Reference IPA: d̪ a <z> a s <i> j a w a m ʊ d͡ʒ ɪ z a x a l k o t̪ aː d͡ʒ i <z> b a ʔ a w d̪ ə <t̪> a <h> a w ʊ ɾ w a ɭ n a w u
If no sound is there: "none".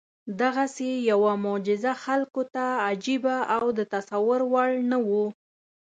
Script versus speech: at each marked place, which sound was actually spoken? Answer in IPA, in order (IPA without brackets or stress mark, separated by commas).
ɣ, e, none, t̪, s